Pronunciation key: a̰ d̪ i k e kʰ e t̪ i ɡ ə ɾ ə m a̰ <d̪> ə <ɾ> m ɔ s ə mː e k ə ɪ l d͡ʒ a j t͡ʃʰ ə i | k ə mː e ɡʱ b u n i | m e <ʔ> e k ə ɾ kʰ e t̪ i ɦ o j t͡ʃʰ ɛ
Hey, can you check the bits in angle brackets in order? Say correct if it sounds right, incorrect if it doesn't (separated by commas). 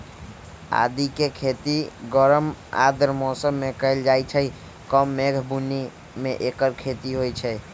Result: correct, correct, correct